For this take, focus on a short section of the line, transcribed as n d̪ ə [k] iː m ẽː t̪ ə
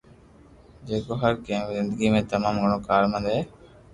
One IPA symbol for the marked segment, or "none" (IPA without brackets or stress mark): ɡ